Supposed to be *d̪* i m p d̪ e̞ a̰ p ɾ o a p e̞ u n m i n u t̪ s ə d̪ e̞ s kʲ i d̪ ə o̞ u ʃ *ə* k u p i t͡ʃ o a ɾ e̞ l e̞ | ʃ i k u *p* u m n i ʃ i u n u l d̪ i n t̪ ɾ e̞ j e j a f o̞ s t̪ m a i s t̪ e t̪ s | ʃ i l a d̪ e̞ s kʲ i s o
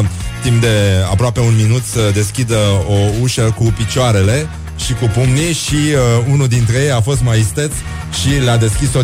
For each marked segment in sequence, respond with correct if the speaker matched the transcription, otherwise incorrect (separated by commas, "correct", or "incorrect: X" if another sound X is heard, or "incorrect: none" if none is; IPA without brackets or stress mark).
incorrect: t̪, correct, correct